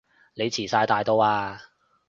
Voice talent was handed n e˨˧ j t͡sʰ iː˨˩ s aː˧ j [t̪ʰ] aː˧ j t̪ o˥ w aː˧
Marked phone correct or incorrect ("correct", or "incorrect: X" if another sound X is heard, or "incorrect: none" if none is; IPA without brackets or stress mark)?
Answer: incorrect: t̪